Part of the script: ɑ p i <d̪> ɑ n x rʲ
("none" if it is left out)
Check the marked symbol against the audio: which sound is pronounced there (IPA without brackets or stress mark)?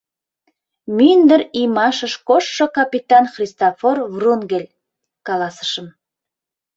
t̪